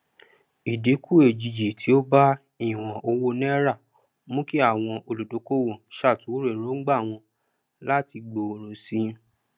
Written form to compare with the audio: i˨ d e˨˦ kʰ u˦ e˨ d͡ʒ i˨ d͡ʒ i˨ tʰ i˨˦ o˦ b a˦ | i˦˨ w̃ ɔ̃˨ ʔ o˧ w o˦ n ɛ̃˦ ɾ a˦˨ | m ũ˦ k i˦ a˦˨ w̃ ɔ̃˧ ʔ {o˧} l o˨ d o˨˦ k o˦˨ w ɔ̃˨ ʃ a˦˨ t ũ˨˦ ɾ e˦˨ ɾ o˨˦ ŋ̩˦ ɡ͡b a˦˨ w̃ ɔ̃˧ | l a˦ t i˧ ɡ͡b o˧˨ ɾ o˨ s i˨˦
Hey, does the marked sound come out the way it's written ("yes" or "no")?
yes